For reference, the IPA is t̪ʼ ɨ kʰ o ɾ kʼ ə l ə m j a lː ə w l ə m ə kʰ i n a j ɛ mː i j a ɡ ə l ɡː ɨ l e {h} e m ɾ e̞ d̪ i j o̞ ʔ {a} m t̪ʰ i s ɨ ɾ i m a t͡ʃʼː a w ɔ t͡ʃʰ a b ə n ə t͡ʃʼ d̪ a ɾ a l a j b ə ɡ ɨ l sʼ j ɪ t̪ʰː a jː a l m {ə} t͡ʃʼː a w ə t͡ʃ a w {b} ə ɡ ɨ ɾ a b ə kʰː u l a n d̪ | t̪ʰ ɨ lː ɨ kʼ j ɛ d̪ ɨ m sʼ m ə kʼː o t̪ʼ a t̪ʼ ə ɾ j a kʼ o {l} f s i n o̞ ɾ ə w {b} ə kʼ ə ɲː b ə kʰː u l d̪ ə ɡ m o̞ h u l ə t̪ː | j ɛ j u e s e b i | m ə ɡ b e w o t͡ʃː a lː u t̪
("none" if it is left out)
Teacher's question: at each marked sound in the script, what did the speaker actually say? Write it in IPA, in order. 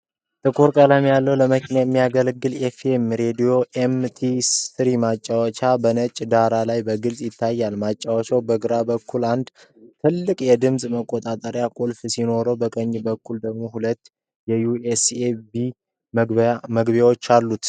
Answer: f, e, a, b, l, b

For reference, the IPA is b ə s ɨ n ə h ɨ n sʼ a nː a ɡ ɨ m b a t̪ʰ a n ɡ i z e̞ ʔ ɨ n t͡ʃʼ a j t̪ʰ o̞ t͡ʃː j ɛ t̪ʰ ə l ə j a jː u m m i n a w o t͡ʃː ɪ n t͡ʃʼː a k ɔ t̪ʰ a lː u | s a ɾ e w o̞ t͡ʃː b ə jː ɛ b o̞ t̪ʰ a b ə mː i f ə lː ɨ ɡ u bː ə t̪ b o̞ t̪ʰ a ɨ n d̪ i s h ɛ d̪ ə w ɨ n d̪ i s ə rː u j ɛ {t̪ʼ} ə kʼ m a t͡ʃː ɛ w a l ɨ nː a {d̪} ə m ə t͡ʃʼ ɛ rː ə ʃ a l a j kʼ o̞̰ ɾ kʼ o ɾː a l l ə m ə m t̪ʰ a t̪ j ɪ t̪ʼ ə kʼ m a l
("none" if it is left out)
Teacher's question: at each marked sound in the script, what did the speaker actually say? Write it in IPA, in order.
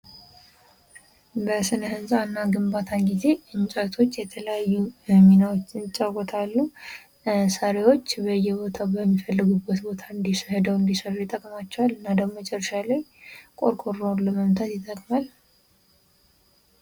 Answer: t̪ʼ, d̪

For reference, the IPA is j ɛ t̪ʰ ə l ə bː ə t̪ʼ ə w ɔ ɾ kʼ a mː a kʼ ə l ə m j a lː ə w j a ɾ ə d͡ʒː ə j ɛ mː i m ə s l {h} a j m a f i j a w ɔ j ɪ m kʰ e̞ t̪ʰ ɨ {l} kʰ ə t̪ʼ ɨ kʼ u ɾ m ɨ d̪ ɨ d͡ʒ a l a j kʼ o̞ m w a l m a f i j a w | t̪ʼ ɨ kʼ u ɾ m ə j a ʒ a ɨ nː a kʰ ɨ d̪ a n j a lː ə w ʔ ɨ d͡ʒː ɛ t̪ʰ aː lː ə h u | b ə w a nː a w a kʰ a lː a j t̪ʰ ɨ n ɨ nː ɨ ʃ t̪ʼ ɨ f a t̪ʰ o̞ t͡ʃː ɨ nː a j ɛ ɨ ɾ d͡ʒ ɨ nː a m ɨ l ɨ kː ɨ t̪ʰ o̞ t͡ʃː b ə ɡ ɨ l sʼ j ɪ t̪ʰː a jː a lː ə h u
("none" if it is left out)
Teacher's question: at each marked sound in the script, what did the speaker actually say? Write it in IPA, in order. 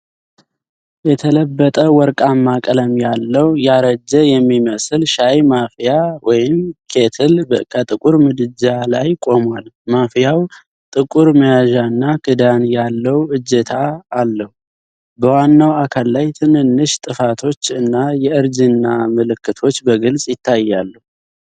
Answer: ʃ, l

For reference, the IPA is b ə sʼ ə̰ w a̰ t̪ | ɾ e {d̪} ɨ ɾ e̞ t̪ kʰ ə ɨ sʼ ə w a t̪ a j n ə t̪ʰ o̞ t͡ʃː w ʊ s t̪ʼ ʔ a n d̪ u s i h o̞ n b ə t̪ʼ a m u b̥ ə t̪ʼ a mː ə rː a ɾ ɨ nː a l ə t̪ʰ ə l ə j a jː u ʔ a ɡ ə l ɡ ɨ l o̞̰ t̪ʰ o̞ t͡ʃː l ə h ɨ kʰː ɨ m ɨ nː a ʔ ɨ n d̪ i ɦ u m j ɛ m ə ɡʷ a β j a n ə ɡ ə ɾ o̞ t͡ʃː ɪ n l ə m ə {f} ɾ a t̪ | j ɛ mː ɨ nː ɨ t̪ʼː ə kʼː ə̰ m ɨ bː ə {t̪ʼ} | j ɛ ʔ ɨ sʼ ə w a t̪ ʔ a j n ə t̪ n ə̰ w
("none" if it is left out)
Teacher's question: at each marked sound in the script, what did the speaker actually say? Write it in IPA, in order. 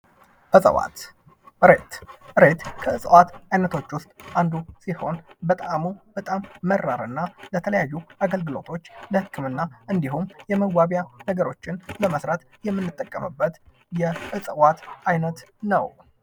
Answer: t̪, s, t̪

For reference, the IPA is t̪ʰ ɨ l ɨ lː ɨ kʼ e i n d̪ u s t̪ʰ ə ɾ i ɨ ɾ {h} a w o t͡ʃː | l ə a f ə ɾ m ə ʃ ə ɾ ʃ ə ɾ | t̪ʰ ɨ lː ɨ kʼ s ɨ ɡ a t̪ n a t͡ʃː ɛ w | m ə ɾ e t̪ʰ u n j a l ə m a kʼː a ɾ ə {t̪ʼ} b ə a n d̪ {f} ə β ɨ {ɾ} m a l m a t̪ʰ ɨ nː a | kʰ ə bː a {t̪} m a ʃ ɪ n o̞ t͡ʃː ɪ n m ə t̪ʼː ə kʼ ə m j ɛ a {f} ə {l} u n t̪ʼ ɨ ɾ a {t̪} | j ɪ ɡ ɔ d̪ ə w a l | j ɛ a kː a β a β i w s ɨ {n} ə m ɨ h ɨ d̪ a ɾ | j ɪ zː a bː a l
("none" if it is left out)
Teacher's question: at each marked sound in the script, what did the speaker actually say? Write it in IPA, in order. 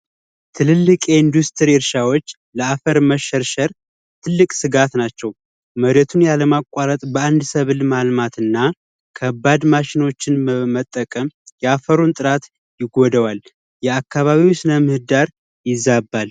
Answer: ʃ, t̪ʼ, s, l, d̪, f, ɾ, t̪, n

